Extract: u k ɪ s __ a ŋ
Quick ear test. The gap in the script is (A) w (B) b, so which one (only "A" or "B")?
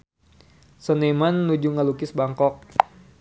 B